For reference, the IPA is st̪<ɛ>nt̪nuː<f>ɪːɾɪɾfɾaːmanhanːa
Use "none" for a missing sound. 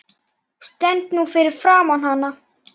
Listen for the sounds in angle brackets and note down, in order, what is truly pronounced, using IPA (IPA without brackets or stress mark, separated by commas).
ɛ, f